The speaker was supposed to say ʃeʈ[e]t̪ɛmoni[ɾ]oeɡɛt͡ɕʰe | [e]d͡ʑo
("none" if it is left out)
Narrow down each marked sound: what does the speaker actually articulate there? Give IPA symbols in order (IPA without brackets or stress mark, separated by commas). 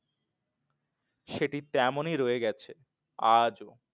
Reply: i, ɾ, a